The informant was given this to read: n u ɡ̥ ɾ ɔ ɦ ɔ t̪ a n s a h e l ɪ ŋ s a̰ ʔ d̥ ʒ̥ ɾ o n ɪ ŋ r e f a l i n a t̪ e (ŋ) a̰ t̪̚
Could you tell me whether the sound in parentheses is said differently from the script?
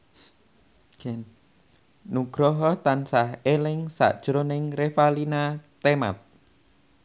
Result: yes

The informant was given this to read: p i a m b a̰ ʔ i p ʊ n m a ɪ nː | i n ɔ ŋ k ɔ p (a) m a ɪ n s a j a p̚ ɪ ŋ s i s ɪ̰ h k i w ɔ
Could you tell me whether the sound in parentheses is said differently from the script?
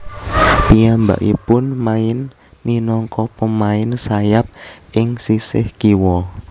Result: yes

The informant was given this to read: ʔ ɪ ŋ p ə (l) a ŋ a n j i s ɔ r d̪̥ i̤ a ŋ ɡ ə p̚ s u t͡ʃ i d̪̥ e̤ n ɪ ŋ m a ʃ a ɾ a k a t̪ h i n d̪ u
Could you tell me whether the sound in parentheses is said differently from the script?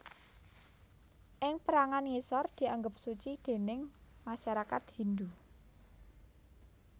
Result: yes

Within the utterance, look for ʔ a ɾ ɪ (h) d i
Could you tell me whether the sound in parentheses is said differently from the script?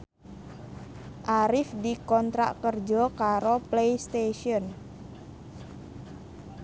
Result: yes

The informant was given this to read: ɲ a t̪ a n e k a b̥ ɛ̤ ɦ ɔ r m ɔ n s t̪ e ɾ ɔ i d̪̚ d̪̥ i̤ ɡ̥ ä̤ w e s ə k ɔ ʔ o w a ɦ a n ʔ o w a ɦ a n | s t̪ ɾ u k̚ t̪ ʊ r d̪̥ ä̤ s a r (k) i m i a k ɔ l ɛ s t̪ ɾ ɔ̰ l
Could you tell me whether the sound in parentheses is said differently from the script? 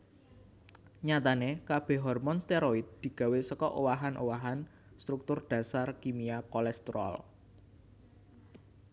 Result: no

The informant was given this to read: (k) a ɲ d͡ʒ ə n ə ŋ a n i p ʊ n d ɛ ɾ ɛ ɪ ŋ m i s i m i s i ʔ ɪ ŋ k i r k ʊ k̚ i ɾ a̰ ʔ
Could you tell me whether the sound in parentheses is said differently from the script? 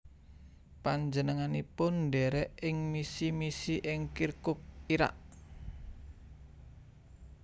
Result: yes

